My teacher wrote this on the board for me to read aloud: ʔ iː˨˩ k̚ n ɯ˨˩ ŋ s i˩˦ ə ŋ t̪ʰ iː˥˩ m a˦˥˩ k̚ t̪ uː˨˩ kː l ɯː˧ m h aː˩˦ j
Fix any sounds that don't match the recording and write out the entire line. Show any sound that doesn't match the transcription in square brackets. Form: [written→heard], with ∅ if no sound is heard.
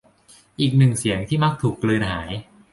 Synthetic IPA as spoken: ʔ iː˨˩ k̚ n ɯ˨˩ ŋ s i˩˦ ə ŋ t̪ʰ iː˥˩ m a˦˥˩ k̚ [t̪→t̪ʰ] uː˨˩ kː l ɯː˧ [m→n] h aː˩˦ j